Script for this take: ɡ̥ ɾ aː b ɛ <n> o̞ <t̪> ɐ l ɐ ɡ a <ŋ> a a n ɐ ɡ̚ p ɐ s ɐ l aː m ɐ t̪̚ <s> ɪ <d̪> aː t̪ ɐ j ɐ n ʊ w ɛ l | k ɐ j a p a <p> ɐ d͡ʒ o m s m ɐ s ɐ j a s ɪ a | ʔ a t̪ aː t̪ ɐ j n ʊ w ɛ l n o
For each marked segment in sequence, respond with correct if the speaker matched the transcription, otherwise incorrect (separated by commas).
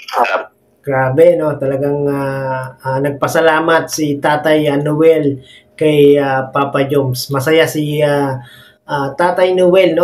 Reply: correct, correct, correct, correct, incorrect, correct